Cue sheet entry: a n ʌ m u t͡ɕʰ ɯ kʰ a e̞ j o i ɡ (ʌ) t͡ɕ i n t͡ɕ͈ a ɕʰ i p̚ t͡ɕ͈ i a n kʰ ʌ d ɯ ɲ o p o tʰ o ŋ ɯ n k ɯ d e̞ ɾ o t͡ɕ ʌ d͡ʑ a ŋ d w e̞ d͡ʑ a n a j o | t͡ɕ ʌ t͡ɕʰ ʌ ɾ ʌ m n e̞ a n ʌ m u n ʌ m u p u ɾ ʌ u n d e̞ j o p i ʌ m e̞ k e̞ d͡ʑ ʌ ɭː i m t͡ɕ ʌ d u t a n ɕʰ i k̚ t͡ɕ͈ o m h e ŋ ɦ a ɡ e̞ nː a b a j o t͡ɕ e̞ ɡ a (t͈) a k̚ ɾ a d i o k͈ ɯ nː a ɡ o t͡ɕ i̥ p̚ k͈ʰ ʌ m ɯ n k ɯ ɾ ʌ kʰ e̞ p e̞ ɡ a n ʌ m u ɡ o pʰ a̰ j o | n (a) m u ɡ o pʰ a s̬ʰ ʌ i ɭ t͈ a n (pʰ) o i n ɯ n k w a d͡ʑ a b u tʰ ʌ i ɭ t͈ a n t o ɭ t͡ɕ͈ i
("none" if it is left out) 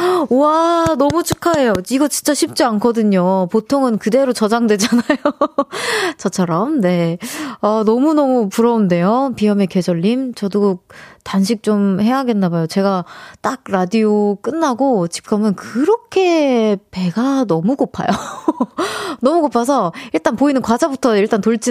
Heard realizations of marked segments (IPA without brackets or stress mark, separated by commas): ʌ, t͈, ʌ, p